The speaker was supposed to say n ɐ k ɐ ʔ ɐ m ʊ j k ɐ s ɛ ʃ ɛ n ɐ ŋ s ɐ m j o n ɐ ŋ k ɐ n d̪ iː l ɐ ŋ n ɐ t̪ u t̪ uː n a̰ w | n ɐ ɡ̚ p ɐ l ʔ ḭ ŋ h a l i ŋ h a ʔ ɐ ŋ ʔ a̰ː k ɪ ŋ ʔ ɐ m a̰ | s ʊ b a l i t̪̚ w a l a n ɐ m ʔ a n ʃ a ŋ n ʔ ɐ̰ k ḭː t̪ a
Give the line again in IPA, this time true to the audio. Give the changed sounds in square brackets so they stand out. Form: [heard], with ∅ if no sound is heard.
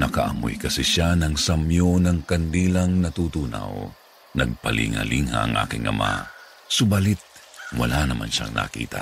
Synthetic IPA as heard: n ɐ k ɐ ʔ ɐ m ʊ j k ɐ s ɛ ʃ [a] n ɐ ŋ s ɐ m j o n ɐ ŋ k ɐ n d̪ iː l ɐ ŋ n ɐ t̪ u t̪ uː n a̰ w | n ɐ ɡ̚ p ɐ l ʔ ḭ ŋ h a l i ŋ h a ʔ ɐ ŋ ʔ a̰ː k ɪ ŋ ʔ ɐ m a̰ | s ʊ b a l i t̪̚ w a l a n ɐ m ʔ a n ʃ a ŋ n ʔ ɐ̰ k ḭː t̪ a